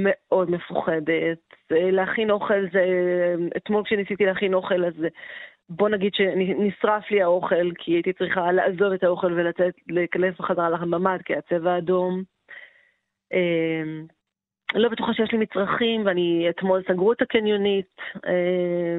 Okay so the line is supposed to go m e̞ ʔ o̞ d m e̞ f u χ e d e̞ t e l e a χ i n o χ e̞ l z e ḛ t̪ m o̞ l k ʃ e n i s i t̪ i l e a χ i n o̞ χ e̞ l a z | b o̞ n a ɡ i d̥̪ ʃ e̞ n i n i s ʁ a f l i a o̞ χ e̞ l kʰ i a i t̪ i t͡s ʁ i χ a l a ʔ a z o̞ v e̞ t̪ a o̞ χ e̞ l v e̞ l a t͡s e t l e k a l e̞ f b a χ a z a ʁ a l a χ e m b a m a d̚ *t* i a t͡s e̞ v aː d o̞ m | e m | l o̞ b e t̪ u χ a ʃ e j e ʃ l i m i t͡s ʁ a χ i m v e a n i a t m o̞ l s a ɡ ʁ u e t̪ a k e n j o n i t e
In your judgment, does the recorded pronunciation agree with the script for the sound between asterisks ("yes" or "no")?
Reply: no